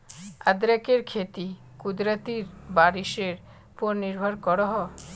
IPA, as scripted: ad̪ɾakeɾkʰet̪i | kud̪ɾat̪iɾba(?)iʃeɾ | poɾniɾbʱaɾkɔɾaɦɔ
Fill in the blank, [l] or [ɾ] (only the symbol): ɾ